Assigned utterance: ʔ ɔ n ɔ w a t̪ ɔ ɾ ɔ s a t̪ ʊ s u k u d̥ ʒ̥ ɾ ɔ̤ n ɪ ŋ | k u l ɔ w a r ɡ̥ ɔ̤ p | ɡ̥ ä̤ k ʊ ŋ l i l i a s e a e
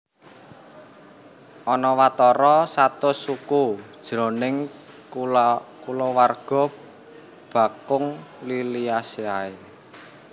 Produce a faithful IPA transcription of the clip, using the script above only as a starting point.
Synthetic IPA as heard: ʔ ɔ n ɔ w a t̪ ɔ ɾ ɔ s a t̪ ʊ s u k u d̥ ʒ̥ ɾ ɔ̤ n ɪ ŋ | k u l ɔ w a r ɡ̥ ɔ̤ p | b̥ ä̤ k ʊ ŋ l i l i a s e a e